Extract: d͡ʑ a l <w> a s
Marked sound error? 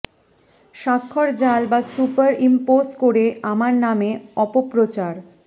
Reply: yes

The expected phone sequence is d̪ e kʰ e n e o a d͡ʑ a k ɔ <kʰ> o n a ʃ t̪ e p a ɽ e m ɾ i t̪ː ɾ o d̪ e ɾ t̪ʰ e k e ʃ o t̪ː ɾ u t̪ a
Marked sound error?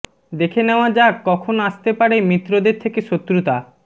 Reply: no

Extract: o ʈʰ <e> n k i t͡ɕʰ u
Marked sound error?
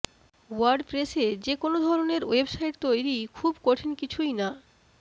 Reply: no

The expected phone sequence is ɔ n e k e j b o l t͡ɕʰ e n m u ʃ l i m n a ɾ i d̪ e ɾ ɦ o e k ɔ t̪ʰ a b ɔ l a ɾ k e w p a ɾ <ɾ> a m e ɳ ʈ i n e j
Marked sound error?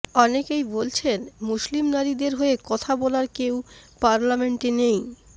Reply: yes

